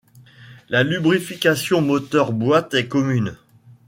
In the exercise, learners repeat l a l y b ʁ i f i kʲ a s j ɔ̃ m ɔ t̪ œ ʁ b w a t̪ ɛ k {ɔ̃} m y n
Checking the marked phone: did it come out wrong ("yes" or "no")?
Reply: yes